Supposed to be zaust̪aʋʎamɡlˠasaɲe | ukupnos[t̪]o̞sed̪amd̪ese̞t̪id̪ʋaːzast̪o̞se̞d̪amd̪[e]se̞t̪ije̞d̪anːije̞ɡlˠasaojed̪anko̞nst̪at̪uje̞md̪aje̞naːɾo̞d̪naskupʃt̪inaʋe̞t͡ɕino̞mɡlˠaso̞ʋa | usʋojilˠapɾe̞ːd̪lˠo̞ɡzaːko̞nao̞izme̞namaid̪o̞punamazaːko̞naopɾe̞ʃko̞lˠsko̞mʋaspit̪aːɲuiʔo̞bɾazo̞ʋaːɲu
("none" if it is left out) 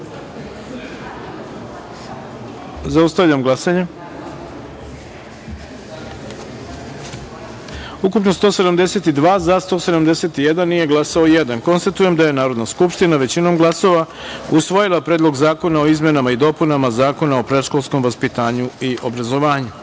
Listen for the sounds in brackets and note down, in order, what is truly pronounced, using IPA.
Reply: t̪, e

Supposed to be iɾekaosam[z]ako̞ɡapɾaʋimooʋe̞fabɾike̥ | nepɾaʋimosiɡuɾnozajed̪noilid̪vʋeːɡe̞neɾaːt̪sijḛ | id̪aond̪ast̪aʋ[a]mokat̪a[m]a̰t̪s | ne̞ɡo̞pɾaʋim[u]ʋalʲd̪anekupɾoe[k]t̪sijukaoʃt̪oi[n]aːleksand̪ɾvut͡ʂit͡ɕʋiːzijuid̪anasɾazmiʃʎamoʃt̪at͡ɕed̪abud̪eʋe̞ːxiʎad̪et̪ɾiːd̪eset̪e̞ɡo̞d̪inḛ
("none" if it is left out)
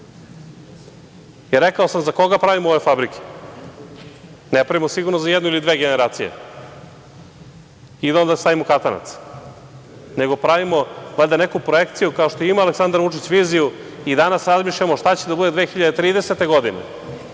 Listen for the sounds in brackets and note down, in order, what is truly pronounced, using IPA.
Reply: z, i, n, o, k, m

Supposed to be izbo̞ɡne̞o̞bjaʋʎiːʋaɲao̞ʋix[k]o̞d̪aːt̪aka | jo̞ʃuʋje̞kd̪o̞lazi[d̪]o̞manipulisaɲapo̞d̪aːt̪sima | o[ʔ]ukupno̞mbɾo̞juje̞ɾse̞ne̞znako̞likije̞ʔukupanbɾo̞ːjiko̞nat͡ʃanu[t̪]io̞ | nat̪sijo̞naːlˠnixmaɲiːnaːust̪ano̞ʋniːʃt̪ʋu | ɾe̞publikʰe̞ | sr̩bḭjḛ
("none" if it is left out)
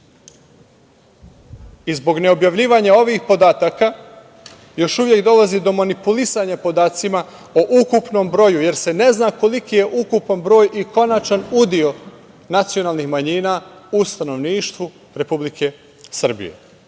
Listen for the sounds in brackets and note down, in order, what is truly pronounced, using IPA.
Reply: p, d̪, ʔ, d̪

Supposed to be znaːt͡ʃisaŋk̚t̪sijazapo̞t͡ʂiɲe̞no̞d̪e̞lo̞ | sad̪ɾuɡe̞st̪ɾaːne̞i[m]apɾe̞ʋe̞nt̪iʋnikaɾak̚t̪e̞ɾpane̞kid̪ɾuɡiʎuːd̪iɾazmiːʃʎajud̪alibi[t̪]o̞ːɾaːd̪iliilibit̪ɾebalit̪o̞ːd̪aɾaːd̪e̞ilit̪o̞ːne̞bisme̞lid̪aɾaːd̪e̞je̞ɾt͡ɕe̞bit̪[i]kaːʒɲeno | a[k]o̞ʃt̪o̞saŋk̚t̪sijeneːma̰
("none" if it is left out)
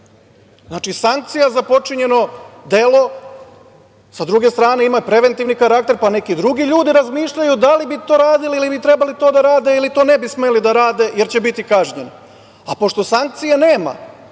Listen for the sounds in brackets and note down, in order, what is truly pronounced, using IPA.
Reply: m, t̪, i, p

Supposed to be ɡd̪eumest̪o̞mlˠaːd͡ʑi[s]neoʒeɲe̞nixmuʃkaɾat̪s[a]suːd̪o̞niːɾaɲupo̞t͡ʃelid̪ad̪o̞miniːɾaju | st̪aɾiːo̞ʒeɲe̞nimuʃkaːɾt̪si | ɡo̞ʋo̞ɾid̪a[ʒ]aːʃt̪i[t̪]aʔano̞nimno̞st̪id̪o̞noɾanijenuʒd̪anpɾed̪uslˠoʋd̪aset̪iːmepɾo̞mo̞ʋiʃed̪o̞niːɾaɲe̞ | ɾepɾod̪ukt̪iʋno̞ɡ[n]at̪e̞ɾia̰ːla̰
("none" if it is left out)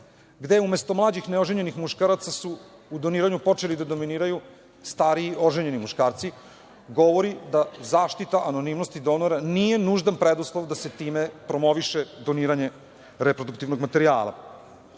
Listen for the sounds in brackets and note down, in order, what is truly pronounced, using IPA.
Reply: x, a, z, t̪, m

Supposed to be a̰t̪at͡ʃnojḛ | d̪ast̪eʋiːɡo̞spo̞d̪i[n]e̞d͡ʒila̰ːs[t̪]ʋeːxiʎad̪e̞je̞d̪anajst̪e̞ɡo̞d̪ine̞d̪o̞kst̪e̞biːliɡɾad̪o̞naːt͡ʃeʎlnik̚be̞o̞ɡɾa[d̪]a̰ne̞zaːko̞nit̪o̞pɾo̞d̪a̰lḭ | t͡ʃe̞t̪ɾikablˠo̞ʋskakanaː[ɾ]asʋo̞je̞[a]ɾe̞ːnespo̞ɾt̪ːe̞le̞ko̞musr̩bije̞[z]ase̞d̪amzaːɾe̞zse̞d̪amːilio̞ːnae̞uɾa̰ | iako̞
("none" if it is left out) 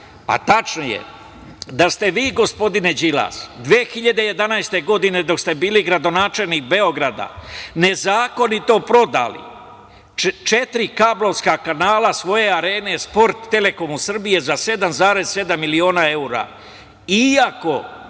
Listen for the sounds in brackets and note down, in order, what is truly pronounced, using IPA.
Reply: n, d̪, d̪, l, a, z

